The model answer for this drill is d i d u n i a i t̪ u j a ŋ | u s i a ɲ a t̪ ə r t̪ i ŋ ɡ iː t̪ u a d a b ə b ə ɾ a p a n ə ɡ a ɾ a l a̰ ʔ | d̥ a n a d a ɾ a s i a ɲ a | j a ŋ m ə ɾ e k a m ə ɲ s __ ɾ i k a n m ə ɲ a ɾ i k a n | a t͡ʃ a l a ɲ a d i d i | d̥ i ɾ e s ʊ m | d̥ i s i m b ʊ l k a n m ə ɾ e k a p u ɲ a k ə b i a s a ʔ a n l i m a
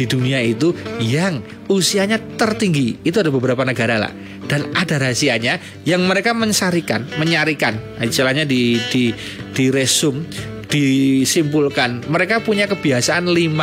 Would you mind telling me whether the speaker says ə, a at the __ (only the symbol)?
a